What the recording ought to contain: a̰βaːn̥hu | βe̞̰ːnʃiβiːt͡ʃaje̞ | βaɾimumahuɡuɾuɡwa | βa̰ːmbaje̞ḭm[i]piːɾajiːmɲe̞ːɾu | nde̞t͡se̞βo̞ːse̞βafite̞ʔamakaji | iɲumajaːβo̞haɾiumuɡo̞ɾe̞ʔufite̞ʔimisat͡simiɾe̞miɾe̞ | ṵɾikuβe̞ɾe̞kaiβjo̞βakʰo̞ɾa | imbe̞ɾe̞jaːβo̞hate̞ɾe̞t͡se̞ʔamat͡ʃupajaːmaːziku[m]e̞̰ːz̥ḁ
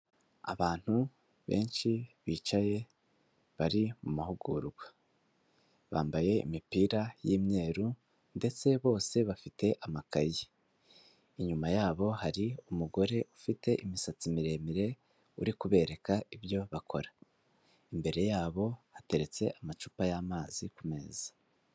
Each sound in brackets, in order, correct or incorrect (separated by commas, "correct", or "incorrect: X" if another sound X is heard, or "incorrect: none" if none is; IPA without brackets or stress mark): correct, correct